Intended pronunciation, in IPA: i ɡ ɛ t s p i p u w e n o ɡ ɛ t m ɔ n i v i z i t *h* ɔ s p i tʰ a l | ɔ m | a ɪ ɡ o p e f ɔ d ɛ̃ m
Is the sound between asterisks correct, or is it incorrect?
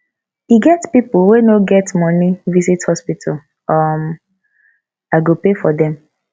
correct